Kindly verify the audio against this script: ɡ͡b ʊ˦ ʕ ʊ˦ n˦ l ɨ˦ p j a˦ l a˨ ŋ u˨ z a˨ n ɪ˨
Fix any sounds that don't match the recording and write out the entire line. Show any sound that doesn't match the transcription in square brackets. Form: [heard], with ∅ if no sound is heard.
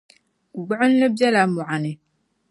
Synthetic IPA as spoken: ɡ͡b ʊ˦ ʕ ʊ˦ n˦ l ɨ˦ [b] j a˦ l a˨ [m] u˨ [ʕ] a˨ n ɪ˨